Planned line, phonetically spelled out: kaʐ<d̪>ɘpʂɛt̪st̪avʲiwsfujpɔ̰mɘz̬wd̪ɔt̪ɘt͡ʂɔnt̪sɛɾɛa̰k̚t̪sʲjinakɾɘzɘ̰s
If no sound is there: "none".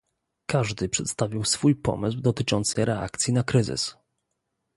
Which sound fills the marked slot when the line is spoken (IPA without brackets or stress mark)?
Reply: d̪